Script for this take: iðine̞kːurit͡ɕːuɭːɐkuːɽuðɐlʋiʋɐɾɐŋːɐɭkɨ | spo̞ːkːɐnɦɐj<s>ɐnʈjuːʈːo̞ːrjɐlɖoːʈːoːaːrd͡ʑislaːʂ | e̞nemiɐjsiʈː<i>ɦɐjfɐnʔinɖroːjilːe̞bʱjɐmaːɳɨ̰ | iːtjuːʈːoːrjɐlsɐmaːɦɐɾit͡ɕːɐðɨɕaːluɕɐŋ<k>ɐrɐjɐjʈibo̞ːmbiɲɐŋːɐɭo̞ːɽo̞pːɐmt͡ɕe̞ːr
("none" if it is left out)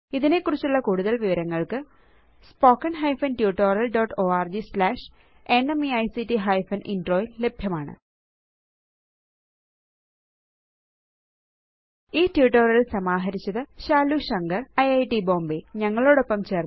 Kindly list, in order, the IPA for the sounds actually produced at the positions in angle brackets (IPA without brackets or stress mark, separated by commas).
f, i, ɡ